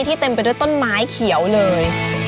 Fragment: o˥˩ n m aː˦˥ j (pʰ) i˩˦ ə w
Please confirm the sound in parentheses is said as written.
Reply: no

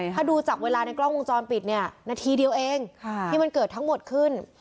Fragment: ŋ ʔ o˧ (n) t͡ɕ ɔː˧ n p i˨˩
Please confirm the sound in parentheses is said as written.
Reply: no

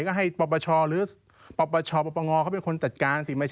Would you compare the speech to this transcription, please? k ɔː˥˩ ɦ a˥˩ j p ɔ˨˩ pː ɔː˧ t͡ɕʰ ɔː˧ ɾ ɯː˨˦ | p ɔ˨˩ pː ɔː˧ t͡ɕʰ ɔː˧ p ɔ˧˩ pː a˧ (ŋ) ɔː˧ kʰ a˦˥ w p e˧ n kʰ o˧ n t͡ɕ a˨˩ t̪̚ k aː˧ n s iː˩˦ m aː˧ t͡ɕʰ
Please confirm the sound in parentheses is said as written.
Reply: yes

